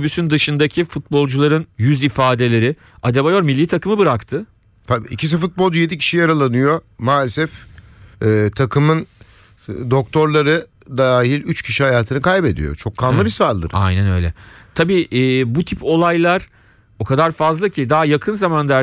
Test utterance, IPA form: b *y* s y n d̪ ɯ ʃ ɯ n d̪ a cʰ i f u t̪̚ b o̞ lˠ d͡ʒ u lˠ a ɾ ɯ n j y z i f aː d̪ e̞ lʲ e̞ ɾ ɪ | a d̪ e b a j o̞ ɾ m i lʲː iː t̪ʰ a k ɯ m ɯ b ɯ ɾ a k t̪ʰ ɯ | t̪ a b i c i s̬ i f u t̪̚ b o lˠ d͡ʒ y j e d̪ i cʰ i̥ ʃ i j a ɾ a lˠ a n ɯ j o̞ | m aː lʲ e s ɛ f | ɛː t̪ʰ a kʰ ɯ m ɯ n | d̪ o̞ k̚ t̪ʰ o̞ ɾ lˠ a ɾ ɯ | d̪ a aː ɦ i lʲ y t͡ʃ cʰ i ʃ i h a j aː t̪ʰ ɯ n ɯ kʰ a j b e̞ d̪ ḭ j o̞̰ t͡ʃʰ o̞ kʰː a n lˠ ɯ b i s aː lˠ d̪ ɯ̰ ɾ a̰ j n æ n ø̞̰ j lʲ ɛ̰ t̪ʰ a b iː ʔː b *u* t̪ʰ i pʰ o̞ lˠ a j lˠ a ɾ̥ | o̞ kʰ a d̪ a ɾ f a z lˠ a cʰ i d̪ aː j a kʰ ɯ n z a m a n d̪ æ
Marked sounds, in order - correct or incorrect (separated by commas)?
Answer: correct, correct